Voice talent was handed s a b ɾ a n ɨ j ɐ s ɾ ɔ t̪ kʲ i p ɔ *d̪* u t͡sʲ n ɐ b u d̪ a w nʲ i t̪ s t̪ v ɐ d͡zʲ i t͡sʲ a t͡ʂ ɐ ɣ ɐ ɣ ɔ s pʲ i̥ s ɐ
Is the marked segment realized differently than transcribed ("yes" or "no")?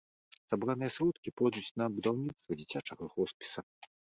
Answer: no